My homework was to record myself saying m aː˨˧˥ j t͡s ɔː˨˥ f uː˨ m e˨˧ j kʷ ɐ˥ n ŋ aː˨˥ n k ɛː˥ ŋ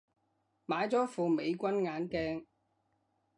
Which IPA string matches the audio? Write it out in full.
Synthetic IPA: m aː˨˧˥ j t͡s ɔː˨˥ f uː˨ m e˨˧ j kʷ ɐ˥ n ŋ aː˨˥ n k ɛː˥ ŋ